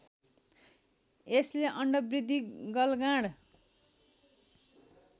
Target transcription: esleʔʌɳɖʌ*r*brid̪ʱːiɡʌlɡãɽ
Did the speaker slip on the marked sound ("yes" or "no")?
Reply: yes